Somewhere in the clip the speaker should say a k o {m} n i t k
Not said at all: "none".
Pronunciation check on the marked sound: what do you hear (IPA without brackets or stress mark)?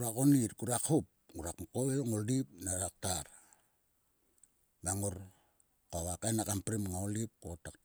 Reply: none